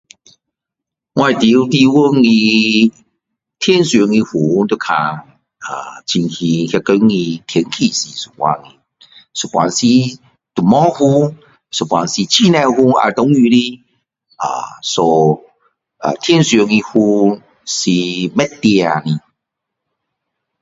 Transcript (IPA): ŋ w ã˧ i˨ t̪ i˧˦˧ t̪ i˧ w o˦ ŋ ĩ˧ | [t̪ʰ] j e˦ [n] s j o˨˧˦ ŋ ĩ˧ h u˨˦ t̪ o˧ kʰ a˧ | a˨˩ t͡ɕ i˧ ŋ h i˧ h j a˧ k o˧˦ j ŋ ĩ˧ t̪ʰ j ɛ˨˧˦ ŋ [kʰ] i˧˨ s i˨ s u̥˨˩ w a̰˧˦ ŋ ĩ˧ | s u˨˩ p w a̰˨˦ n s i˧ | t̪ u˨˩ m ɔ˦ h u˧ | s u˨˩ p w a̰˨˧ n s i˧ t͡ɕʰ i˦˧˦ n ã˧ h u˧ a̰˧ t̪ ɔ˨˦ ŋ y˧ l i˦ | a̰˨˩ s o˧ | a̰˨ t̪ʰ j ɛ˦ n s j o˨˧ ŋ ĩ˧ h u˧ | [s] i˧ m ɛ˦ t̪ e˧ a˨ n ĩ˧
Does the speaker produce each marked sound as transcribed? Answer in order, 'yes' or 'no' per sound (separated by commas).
yes, yes, yes, yes